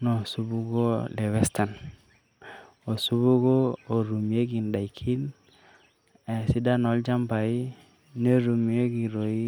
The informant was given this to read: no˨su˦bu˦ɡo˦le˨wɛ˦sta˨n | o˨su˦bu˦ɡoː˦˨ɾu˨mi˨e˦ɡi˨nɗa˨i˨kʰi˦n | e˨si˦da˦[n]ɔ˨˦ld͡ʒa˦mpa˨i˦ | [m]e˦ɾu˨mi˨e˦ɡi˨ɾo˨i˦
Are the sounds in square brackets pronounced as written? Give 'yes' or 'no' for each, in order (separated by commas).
yes, no